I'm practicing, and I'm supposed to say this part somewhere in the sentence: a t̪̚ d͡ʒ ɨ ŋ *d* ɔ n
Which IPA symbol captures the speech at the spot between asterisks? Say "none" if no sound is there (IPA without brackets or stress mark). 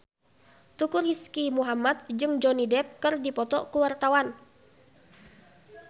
d͡ʒ